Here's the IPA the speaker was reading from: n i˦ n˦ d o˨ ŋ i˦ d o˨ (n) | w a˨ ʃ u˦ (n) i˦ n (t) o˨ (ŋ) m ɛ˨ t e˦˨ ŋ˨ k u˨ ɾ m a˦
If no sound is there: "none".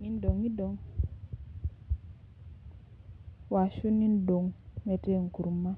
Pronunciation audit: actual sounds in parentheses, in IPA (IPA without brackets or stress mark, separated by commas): ŋ, n, d, ŋ